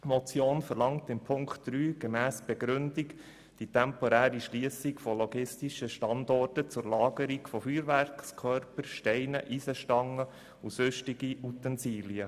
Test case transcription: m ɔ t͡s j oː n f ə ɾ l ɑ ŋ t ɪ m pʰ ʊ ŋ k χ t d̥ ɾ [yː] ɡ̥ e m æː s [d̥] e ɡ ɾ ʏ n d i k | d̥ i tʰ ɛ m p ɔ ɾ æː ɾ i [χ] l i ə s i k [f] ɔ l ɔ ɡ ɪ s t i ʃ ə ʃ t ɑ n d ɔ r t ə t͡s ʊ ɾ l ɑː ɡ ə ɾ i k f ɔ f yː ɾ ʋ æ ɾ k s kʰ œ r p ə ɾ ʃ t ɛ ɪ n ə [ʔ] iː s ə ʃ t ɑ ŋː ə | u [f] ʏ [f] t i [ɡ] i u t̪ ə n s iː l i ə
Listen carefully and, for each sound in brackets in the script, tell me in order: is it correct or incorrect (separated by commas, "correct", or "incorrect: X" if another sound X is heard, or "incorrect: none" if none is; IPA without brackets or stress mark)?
correct, incorrect: b̥, incorrect: ʃ, correct, correct, incorrect: s, incorrect: ʃ, correct